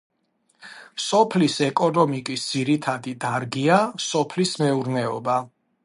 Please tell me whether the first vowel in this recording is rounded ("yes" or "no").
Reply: yes